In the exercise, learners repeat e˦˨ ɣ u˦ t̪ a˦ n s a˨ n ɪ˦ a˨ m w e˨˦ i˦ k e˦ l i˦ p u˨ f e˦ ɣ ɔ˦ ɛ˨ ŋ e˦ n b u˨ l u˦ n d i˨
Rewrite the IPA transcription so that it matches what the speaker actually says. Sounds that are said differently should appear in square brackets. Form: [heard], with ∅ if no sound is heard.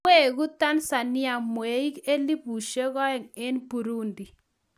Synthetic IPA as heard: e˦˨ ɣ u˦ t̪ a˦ n s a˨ n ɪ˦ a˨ m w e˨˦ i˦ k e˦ l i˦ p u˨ [ʃ] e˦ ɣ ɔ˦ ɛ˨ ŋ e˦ n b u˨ [ɾ] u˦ n d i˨